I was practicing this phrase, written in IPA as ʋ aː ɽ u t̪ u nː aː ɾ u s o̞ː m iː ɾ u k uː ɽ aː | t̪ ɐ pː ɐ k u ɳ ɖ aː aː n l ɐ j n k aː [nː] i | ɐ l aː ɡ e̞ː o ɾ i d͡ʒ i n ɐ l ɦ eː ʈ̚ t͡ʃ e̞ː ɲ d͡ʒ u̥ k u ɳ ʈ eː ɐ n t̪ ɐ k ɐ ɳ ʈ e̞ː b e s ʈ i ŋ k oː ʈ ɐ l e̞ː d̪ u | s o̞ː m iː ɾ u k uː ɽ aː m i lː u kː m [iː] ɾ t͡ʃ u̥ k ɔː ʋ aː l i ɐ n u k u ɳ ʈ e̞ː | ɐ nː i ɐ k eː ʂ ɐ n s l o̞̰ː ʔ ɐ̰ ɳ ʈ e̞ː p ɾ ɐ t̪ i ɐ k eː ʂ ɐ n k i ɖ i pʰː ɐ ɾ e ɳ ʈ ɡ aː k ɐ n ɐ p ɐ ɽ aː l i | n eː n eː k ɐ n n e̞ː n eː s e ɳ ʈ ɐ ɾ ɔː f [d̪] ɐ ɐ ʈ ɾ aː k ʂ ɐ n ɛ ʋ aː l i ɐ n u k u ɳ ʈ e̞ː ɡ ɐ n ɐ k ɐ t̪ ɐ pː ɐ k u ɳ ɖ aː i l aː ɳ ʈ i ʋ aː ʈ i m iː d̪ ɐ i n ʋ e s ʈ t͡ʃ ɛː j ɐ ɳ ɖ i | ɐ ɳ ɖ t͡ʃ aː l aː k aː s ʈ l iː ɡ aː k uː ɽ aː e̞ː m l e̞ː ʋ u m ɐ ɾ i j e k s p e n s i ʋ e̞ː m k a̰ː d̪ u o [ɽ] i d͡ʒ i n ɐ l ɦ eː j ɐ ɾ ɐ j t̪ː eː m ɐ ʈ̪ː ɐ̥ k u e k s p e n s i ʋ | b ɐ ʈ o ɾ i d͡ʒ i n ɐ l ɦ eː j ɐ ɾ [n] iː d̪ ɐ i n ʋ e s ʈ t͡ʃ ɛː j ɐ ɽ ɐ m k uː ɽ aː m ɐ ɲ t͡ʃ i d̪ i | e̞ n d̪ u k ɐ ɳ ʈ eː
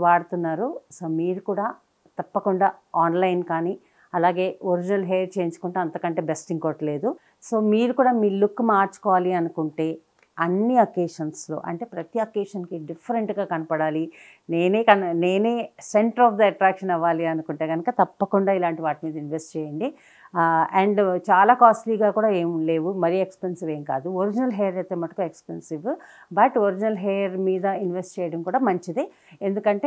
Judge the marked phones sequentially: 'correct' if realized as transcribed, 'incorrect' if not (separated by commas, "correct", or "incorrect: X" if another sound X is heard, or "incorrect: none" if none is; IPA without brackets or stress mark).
incorrect: n, incorrect: aː, correct, incorrect: ɾ, incorrect: m